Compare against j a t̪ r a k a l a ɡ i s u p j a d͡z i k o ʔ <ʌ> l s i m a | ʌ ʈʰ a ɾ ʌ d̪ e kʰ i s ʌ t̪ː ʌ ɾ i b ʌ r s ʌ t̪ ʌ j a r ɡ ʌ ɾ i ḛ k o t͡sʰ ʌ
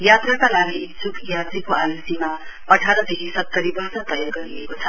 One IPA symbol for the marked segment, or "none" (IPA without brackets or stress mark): a